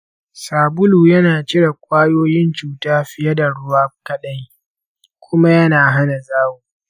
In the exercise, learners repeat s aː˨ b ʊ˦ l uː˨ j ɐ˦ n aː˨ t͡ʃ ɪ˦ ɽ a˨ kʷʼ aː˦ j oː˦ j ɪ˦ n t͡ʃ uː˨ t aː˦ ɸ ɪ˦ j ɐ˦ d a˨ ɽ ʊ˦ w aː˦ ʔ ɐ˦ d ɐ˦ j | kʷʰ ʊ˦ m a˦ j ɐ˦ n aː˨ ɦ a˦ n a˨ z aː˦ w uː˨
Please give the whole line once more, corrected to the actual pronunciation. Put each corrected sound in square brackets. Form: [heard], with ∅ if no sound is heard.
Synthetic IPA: s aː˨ b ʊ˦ l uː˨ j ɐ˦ n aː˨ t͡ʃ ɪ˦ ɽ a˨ kʷʼ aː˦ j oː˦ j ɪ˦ n t͡ʃ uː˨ t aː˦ ɸ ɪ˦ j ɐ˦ d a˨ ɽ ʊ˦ w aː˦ [k] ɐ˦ [ɗ] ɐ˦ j | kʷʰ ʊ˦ m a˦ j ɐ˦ n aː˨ ɦ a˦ n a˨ z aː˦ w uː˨